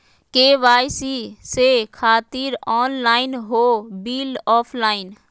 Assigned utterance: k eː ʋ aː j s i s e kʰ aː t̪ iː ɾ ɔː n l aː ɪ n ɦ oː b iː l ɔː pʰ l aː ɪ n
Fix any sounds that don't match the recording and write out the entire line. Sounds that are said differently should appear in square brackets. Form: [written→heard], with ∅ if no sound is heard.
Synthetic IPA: k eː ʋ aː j s i s e kʰ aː t̪ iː ɾ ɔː n l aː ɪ n ɦ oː b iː l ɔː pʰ l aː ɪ n